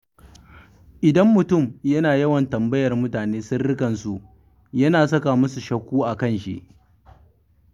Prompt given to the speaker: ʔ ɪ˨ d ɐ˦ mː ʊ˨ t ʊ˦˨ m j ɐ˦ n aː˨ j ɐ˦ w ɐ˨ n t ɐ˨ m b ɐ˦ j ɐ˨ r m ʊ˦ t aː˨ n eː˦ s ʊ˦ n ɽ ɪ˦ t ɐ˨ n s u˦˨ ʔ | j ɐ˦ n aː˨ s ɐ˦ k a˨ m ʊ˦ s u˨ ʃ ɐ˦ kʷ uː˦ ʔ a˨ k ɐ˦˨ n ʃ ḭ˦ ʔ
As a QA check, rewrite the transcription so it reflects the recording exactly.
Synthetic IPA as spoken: ʔ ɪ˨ d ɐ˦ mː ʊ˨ t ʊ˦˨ m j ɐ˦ n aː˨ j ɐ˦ w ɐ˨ n t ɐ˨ m b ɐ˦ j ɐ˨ r m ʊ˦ t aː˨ n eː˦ s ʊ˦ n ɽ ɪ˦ k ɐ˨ n s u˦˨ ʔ | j ɐ˦ n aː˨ s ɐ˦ k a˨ m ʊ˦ s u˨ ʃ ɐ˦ kʷ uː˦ ʔ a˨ k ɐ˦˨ n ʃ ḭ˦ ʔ